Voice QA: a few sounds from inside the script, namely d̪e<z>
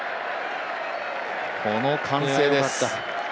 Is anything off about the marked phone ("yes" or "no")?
yes